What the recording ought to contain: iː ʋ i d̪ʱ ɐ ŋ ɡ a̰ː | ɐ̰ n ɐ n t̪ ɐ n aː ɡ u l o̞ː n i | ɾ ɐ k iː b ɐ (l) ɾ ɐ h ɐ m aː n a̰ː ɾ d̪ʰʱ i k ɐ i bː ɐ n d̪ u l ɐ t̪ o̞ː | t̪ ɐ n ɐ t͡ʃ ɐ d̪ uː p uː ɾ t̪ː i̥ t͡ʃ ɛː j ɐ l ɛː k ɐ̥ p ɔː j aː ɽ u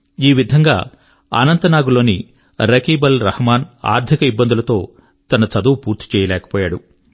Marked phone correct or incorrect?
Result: correct